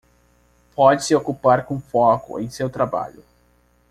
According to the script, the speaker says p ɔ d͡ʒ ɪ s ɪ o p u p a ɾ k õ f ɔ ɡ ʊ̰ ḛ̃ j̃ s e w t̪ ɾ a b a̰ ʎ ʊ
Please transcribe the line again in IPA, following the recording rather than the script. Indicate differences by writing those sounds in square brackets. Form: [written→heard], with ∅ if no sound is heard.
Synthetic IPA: p ɔ d͡ʒ ɪ s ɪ o [p→k] u p a ɾ k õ f ɔ [ɡ→k] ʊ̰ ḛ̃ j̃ s e w t̪ ɾ a b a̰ ʎ ʊ